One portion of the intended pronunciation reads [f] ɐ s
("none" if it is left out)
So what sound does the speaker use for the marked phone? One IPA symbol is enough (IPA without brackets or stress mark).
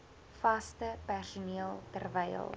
f